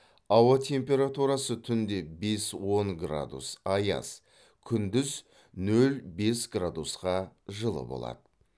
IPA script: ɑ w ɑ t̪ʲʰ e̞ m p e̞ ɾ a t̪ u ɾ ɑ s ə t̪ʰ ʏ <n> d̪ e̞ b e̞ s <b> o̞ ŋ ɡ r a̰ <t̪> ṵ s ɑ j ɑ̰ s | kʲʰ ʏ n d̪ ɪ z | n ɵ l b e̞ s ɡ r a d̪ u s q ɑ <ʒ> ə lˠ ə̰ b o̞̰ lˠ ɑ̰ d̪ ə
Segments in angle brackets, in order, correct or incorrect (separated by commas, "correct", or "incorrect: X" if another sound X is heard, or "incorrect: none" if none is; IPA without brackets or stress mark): correct, incorrect: w, incorrect: d̪, correct